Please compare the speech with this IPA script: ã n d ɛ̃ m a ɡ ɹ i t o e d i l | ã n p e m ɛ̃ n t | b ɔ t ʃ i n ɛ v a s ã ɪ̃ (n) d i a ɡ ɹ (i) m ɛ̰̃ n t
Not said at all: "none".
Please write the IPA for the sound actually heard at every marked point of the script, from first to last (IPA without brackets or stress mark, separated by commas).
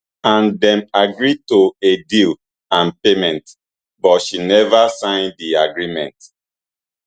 n, i